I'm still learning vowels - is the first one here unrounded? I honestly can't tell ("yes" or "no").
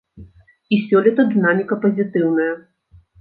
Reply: yes